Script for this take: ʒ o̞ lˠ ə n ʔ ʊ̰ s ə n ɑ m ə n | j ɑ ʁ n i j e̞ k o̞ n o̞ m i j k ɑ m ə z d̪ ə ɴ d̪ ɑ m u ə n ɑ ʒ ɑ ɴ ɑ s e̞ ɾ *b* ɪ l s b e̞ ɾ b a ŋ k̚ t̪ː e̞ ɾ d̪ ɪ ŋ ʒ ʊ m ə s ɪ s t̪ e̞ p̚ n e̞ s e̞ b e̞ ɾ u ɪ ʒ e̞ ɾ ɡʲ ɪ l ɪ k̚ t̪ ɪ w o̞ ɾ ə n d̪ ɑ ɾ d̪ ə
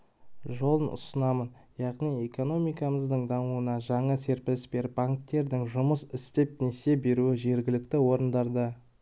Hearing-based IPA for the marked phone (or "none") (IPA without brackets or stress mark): p